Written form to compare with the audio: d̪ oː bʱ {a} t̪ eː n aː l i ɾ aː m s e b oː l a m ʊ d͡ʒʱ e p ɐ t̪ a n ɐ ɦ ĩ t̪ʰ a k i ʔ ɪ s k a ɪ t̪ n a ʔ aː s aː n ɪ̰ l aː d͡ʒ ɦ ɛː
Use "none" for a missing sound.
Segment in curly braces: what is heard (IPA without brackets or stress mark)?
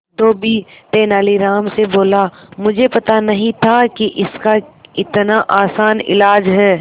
i